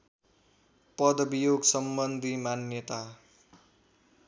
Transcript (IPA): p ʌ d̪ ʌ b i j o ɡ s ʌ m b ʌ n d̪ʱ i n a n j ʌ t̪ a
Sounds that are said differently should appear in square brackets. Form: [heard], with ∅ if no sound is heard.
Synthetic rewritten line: p ʌ d̪ ʌ b i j o ɡ s ʌ m b ʌ n d̪ʱ i [m] a n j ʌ t̪ a

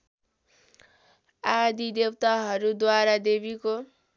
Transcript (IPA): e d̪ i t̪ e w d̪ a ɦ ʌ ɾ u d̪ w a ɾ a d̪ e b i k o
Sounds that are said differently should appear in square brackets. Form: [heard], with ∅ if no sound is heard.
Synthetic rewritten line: [a] d̪ i [d̪] e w [t̪] a ɦ ʌ ɾ u d̪ w a ɾ a d̪ e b i k o

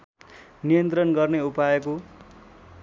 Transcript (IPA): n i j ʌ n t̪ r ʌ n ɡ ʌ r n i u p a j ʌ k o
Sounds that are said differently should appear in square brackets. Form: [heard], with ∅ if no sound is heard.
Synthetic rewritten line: n i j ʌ n t̪ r ʌ n ɡ ʌ r n [e] u p a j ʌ k o

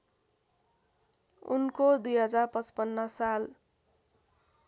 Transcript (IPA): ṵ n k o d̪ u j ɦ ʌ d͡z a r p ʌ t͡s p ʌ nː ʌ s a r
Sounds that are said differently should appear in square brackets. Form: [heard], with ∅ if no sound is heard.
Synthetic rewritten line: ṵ n k o d̪ u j ɦ ʌ d͡z a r p ʌ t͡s p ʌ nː ʌ s a [l]

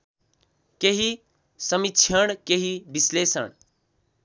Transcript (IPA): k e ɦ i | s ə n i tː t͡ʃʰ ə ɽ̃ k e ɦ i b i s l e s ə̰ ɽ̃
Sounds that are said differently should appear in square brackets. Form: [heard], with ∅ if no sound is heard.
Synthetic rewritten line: k e ɦ i | s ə [m] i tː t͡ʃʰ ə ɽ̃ k e ɦ i b i s l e s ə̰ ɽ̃

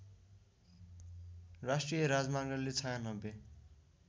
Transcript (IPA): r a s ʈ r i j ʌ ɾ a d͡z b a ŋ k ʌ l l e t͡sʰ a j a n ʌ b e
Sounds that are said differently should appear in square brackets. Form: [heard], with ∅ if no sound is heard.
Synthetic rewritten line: r a s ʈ r i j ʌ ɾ a d͡z [m] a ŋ [ɡ] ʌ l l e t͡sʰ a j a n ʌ b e

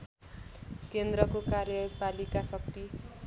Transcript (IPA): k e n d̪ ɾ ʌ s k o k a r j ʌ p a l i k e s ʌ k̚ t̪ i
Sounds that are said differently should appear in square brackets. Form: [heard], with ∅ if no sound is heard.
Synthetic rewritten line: k e n d̪ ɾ ʌ [∅] k o k a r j ʌ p a l i k [a] s ʌ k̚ t̪ i

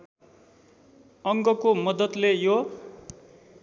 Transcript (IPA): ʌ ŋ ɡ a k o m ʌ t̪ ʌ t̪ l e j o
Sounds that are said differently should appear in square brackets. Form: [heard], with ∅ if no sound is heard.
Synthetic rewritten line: ʌ ŋ ɡ [ʌ] k o m ʌ [d̪] ʌ t̪ l e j o

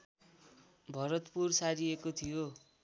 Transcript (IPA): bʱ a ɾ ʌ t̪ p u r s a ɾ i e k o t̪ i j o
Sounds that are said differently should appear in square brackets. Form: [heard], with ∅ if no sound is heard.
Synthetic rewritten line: bʱ [ʌ] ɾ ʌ t̪ p u r s a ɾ i e k o [t̪ʰ] i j o

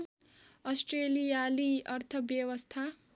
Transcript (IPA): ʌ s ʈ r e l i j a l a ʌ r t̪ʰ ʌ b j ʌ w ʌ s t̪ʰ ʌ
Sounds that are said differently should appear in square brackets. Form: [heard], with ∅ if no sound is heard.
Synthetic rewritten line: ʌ s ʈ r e l i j a l [i] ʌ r t̪ʰ ʌ b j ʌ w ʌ s t̪ʰ [a]

